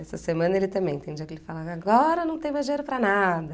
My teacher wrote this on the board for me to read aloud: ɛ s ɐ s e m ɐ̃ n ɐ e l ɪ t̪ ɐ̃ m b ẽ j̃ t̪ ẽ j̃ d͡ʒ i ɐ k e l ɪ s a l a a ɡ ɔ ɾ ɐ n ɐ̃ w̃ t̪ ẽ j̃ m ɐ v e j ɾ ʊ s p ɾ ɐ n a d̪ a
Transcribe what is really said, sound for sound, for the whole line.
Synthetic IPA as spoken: ɛ s ɐ s e m ɐ̃ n ɐ e l ɪ t̪ ɐ̃ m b ẽ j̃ t̪ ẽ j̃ d͡ʒ i ɐ k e l ɪ f a l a a ɡ ɔ ɾ ɐ n ɐ̃ w̃ t̪ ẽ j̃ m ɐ ʒ e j ɾ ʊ p ɾ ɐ n a d̪ ɐ